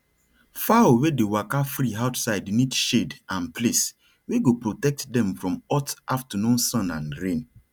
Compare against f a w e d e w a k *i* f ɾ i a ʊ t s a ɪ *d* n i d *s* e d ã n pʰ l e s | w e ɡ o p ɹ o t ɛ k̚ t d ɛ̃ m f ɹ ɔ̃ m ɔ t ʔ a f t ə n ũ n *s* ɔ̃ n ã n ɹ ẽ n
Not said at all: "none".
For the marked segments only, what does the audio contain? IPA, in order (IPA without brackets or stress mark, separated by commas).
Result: a, d, ʃ, s